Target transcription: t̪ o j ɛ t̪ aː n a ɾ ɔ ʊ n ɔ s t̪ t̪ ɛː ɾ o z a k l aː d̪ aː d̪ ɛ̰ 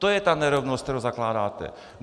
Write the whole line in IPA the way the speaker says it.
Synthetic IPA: t̪ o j ɛ t̪ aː n ɛ ɾ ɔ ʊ n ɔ s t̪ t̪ ɛ ɾ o z a k l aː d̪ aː t̪ ɛ̰